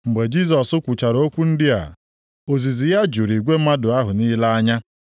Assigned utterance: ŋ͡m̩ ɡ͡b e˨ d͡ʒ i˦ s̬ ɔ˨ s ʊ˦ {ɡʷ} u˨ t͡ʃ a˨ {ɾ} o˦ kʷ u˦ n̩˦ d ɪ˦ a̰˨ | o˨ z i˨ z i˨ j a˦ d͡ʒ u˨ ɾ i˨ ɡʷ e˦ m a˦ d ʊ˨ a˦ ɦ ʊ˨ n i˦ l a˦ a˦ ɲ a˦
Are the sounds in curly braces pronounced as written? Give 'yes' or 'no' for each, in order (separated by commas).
no, yes